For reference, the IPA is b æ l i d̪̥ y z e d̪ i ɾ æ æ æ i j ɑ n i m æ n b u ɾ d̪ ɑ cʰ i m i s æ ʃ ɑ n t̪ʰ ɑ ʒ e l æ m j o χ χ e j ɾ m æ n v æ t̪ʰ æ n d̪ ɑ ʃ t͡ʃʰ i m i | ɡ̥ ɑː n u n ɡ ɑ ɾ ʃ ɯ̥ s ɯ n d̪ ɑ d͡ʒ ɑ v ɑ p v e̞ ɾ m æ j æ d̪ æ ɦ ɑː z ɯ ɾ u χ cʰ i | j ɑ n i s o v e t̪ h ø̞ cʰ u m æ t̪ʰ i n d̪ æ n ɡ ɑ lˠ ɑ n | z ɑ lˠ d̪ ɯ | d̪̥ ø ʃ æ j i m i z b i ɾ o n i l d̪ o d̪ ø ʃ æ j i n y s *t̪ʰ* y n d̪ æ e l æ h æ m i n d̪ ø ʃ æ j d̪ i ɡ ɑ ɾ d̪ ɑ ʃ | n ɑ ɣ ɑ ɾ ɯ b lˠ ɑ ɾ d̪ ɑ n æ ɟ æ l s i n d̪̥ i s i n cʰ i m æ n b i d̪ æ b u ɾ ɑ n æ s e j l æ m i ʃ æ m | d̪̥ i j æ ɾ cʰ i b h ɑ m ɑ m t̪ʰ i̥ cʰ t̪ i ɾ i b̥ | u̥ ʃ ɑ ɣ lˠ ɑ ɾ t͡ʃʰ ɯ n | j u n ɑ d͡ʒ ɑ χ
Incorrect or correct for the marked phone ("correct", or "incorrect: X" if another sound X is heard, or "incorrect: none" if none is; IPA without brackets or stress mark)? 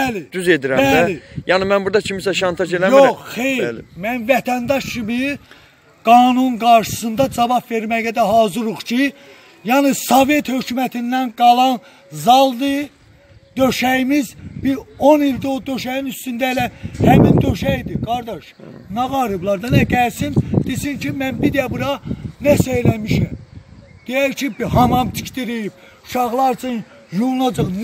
incorrect: t̪